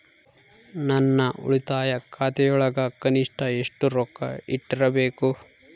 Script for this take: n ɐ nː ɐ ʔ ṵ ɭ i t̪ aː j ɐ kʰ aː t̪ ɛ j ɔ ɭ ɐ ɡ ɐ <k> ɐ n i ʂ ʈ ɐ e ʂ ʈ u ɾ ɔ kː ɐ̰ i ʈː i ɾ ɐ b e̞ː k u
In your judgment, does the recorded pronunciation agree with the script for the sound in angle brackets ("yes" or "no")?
yes